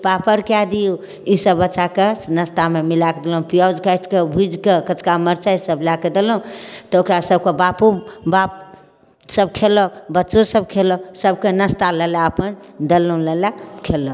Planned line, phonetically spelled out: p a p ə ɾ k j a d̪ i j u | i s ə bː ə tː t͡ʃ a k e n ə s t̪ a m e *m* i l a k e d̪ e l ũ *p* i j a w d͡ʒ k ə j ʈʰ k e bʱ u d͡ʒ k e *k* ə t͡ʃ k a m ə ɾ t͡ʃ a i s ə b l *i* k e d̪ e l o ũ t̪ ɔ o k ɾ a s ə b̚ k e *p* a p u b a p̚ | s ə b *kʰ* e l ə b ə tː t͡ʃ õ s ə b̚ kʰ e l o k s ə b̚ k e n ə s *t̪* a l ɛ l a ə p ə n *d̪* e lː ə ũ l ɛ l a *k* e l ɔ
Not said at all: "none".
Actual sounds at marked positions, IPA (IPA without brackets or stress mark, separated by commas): m, p, k, a, b, kʰ, t̪, d̪, kʰ